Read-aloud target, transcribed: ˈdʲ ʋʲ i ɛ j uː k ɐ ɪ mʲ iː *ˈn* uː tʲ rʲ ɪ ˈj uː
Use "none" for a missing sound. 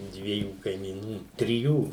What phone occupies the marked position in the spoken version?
n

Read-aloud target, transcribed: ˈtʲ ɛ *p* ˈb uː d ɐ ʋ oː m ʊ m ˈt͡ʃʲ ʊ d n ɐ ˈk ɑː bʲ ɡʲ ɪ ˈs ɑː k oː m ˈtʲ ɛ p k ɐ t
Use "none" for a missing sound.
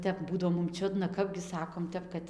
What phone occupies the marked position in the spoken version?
p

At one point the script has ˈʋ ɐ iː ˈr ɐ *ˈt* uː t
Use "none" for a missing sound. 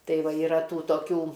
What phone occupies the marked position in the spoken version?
t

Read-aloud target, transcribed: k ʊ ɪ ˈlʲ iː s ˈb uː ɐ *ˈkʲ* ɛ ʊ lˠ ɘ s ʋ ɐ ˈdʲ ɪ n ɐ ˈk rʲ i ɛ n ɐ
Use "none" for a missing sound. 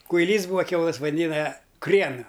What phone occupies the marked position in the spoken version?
kʲ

